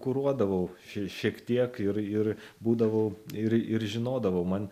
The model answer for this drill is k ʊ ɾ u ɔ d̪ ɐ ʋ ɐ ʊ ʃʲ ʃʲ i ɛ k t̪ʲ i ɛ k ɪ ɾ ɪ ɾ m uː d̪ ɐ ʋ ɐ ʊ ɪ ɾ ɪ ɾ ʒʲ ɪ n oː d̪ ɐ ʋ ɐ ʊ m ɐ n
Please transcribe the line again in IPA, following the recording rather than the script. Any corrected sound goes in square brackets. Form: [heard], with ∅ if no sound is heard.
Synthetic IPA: k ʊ ɾ u ɔ d̪ ɐ ʋ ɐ ʊ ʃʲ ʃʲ i ɛ k t̪ʲ i ɛ k ɪ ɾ ɪ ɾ [b] uː d̪ ɐ ʋ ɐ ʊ ɪ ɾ ɪ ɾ ʒʲ ɪ n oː d̪ ɐ ʋ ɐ ʊ m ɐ n